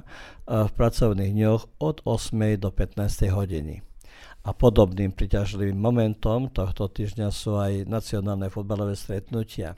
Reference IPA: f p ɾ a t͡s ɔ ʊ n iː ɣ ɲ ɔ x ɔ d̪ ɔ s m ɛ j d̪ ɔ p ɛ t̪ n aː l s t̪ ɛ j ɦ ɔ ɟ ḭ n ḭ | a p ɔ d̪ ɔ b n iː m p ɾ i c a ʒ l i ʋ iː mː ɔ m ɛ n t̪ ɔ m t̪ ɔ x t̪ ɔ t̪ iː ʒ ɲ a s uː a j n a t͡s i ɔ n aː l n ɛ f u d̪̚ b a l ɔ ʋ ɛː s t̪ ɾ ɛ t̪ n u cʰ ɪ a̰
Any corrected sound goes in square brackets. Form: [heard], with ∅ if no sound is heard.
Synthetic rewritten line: f p ɾ a t͡s ɔ ʊ n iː ɣ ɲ ɔ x ɔ d̪ ɔ s m ɛ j d̪ ɔ p ɛ t̪ n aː [∅] s t̪ ɛ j ɦ ɔ ɟ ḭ n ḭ | a p ɔ d̪ ɔ b n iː m p ɾ i c a ʒ l i ʋ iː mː ɔ m ɛ n t̪ ɔ m t̪ ɔ x t̪ ɔ t̪ iː ʒ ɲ a s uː a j n a t͡s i ɔ n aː l n ɛ f u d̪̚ b a l ɔ ʋ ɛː s t̪ ɾ ɛ t̪ n u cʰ ɪ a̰